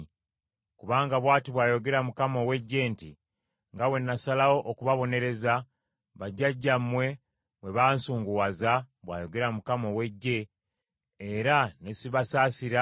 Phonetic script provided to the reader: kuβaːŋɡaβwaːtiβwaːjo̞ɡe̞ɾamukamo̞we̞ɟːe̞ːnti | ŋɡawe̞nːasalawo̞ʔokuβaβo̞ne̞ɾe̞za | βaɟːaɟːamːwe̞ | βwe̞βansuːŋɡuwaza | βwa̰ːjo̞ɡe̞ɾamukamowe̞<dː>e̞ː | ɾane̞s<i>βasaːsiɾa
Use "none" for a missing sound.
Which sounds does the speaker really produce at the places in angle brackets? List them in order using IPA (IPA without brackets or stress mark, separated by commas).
ɟː, i